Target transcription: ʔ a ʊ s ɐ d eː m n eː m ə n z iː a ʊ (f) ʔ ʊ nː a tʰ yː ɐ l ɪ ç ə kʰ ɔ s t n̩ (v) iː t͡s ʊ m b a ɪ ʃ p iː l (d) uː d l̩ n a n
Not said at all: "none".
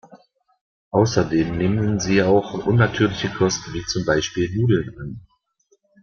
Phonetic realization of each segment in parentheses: x, v, n

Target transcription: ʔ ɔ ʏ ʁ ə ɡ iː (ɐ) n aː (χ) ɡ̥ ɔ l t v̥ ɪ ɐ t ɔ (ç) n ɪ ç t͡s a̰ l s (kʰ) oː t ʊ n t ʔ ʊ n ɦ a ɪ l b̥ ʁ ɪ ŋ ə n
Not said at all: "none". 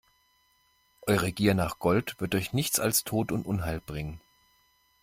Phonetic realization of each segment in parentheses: ɐ, χ, ç, tʰ

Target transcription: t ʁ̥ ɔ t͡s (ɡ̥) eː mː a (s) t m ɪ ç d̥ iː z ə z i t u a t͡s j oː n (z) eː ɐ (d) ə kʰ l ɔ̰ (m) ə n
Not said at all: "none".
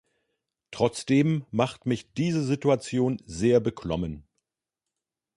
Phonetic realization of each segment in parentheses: d̥, χ, z, b, m

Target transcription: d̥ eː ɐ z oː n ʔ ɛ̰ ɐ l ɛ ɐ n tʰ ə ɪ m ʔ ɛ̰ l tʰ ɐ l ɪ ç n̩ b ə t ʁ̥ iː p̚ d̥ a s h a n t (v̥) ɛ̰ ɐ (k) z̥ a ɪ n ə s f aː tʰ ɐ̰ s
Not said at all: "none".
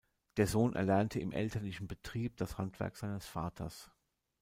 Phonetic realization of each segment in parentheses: v̥, k

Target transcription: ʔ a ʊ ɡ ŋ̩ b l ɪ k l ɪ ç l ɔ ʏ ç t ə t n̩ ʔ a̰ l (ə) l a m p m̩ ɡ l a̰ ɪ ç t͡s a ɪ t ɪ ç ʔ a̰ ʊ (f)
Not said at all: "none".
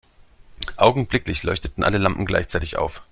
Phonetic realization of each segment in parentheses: ə, f

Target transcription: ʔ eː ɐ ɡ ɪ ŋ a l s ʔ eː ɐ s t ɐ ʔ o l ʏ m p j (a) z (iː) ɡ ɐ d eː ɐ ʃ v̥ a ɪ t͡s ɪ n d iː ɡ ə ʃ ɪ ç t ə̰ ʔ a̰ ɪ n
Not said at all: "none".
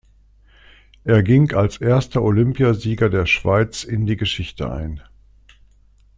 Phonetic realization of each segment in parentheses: a, iː

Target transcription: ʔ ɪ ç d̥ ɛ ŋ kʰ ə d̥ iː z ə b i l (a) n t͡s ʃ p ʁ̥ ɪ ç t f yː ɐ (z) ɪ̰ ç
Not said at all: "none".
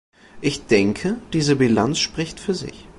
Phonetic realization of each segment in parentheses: a, z

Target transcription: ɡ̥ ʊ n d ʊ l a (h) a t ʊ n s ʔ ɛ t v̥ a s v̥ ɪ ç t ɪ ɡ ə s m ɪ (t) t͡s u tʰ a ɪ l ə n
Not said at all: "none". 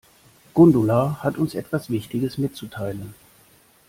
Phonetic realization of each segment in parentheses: h, t

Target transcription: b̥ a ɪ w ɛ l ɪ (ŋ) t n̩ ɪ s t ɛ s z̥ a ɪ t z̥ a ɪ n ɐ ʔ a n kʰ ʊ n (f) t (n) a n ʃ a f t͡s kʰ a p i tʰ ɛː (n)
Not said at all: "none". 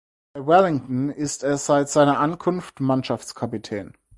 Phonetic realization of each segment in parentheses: ŋ, f, m, n

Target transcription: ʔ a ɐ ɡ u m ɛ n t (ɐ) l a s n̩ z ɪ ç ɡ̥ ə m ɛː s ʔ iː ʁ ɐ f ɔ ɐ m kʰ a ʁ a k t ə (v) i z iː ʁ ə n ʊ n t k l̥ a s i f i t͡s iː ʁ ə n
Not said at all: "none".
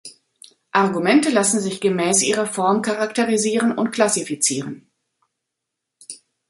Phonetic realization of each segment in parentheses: ə, ʁ

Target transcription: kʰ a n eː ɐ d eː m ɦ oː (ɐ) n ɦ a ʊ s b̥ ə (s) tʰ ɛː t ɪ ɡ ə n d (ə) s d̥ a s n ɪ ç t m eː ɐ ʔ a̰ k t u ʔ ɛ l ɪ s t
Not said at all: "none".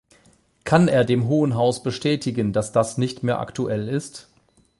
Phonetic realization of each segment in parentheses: ə, ʃ, a

